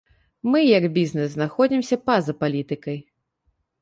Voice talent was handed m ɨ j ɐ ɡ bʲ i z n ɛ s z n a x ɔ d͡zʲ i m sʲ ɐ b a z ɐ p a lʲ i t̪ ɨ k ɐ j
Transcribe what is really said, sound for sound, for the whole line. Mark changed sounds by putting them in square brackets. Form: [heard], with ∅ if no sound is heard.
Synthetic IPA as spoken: m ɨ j ɐ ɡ bʲ i z n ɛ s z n a x ɔ d͡zʲ i m sʲ ɐ [p] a z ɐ p a lʲ i t̪ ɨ k ɐ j